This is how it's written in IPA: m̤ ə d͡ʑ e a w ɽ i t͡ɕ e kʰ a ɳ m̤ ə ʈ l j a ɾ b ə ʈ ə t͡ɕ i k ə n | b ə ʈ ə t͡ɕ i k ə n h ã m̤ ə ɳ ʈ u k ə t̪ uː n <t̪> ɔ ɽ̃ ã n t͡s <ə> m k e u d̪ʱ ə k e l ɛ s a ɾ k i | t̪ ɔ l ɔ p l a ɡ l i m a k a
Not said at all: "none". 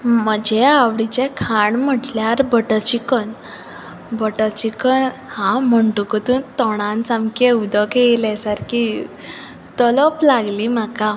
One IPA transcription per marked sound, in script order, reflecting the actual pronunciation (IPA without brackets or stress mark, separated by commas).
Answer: t̪, a